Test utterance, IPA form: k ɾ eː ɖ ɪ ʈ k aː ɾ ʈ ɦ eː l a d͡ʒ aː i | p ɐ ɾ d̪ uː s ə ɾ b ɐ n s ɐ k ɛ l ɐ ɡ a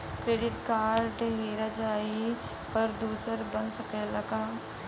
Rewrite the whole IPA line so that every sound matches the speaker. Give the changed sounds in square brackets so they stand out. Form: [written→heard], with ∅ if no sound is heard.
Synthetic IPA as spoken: k ɾ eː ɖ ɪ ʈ k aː ɾ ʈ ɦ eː [l→ɾ] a d͡ʒ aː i | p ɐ ɾ d̪ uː s ə ɾ b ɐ n s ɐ k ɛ l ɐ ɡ a